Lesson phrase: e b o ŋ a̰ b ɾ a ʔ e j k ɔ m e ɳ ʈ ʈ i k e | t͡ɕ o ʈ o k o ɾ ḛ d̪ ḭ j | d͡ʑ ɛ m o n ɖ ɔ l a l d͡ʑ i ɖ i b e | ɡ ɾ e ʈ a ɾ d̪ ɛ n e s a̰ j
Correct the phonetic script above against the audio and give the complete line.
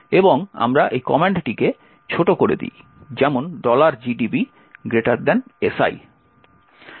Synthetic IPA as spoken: e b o ŋ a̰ m ɾ a ʔ e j k ɔ m e ɳ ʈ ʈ i k e | t͡ɕʰ o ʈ o k o ɾ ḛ d̪ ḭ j | d͡ʑ ɛ m o n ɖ ɔ l a ɾ d͡ʑ i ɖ i b i | ɡ ɾ e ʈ a ɾ d̪ ɛ n e s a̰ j